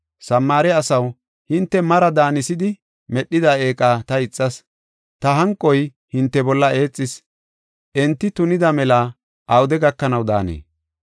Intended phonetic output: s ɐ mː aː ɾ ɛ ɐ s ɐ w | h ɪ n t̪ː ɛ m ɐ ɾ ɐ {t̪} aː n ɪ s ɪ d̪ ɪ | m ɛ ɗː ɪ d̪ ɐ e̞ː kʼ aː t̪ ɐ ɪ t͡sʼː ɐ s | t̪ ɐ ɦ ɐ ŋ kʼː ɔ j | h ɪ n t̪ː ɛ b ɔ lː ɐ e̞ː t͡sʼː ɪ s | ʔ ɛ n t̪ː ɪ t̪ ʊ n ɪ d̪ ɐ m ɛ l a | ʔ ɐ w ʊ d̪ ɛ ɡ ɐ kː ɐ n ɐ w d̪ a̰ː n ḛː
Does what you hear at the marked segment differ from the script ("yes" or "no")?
yes